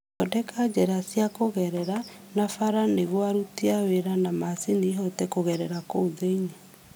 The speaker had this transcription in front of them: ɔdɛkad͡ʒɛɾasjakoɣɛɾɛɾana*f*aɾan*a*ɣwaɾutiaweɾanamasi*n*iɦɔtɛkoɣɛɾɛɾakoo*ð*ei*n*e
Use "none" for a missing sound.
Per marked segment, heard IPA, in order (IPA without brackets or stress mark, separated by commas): f, e, n, ð, ɲ